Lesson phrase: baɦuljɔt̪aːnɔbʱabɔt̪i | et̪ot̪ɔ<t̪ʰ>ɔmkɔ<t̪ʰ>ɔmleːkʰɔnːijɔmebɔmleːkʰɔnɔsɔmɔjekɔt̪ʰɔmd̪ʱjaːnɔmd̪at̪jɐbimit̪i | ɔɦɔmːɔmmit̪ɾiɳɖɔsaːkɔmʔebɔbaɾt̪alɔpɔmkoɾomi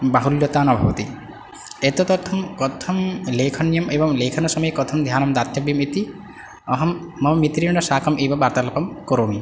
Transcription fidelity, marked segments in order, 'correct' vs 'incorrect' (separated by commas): correct, correct